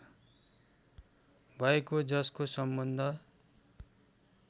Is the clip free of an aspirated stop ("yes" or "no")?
yes